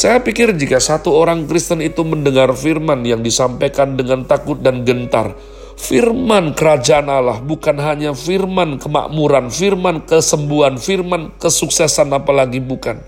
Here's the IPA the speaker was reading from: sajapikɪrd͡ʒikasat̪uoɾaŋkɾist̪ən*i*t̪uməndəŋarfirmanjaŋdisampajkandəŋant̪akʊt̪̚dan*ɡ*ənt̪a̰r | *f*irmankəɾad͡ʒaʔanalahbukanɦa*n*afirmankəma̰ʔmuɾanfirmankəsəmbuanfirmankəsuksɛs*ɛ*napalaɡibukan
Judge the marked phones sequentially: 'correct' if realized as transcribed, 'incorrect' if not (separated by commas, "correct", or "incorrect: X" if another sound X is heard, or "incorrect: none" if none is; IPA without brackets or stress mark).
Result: correct, correct, correct, incorrect: ɲ, incorrect: a